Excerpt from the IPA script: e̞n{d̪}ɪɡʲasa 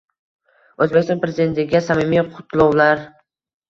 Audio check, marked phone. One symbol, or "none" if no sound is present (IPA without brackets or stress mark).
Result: t̪